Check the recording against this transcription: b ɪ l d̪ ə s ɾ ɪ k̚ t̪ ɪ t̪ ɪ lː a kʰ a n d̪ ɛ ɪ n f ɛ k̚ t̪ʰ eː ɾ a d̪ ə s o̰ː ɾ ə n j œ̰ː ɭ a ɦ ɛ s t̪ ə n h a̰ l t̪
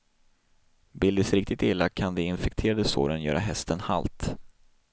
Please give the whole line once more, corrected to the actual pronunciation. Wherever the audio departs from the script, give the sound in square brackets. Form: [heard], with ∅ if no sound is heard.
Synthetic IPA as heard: b ɪ l d̪ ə s ɾ ɪ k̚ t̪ ɪ t̪ ɪ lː a kʰ a n d̪ ɛ ɪ n f ɛ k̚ t̪ʰ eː ɾ a d̪ ə s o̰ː ɾ ə n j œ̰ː [ɾ] a ɦ ɛ s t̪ ə n h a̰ l t̪